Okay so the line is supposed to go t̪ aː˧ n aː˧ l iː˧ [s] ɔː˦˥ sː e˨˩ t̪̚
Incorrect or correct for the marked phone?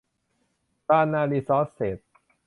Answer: correct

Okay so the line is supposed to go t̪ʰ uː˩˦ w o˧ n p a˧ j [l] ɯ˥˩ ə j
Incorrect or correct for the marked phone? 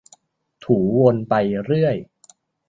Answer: incorrect: ɾ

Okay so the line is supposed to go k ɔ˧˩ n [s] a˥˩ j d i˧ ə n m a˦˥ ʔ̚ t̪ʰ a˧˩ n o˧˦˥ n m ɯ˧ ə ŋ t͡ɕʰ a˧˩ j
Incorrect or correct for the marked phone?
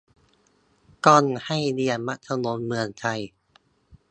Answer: incorrect: h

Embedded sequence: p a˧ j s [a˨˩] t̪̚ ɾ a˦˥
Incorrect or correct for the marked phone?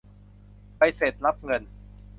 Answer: incorrect: e˨˩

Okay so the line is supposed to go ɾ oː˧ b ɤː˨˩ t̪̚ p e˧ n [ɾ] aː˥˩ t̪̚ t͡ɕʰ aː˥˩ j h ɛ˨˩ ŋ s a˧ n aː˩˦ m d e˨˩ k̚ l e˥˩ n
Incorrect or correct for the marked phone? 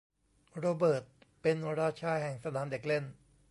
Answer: correct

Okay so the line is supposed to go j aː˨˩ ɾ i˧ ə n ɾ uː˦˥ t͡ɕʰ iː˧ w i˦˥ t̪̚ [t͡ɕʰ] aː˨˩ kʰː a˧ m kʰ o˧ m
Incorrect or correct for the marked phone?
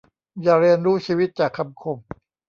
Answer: incorrect: t͡ɕ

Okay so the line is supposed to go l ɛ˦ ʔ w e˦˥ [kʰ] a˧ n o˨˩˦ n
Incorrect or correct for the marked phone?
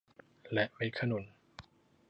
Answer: correct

